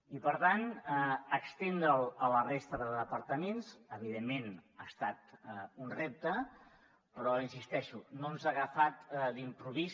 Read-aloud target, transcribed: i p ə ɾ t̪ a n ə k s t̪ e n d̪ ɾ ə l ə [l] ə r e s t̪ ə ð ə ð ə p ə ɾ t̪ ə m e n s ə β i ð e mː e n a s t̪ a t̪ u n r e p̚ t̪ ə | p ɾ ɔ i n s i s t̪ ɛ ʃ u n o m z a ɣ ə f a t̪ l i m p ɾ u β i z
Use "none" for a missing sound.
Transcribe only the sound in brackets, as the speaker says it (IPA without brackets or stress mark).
l